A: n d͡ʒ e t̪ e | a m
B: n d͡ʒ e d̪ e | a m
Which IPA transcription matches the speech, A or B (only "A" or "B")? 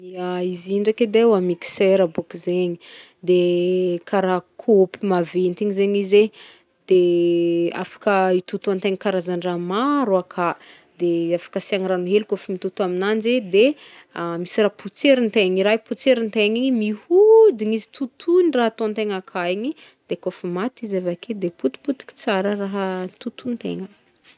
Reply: B